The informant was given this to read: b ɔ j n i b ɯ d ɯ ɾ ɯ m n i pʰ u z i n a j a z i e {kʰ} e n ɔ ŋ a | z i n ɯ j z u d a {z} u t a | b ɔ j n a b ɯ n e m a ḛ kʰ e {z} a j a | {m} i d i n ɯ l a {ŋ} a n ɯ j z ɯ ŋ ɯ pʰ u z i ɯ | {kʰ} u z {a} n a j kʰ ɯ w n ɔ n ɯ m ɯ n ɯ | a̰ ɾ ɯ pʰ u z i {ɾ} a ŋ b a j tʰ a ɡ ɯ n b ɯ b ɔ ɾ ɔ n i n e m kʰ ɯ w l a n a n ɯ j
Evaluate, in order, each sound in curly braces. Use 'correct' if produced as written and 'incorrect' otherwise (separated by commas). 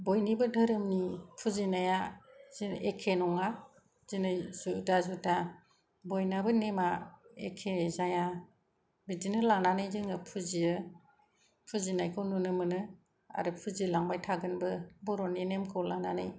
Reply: correct, correct, correct, incorrect, incorrect, incorrect, incorrect, incorrect